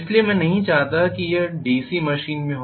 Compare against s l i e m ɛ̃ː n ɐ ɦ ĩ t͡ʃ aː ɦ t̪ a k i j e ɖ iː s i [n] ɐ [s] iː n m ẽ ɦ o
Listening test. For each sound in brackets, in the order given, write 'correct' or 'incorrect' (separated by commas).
incorrect, incorrect